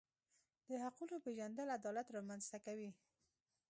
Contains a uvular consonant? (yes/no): yes